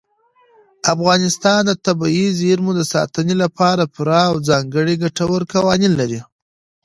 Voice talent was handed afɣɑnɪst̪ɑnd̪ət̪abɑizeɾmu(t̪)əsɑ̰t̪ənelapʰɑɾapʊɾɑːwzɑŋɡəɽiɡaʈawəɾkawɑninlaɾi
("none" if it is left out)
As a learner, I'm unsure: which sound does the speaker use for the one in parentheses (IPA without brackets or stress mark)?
d̪